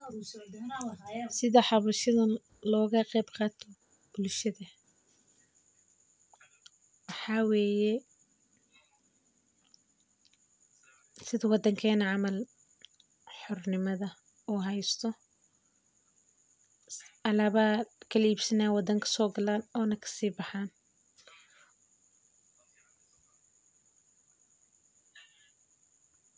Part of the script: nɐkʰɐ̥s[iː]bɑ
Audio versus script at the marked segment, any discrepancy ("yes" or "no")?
no